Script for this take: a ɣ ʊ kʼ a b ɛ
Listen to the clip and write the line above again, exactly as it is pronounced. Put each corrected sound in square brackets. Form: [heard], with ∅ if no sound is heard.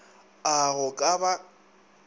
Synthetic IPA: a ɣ ʊ kʼ a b [a]